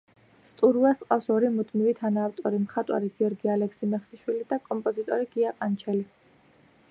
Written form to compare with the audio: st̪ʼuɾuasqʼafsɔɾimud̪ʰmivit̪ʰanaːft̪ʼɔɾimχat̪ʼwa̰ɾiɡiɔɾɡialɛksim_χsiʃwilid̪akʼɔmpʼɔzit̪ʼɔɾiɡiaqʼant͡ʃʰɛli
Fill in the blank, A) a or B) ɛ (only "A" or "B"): B